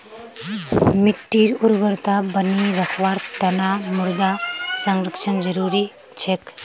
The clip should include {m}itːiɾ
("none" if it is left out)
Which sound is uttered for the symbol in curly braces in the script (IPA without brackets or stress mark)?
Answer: m